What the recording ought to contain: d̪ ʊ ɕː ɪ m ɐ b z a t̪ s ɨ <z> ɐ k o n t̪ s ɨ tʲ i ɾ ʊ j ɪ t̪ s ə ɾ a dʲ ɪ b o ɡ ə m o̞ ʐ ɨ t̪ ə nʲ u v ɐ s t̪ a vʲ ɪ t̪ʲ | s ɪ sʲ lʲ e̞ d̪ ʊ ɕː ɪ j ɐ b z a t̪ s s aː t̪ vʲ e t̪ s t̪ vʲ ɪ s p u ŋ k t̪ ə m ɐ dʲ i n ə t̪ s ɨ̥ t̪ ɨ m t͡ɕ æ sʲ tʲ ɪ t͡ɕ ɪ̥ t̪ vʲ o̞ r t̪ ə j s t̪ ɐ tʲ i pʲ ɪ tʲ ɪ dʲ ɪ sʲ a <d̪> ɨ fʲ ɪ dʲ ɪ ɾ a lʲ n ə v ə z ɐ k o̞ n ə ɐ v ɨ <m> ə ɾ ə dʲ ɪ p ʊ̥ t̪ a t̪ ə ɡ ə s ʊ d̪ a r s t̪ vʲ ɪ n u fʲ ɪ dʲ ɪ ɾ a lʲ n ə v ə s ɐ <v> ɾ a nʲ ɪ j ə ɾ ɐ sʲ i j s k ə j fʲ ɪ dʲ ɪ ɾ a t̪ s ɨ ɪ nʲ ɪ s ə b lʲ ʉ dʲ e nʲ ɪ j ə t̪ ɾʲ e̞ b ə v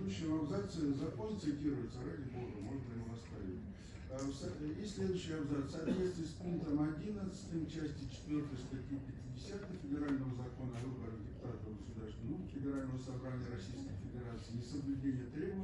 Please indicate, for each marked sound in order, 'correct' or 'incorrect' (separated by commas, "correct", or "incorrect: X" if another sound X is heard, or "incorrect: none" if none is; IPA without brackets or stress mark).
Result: correct, incorrect: t̪, incorrect: b, incorrect: b